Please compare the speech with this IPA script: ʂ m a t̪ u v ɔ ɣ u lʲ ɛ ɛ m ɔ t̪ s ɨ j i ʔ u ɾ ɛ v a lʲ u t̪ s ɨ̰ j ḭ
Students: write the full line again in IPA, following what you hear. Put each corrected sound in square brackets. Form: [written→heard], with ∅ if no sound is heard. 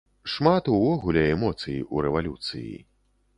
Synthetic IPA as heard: ʂ m a t̪ u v ɔ ɣ u lʲ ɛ ɛ m ɔ t̪ s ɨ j i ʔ u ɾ ɛ v a lʲ u t̪ s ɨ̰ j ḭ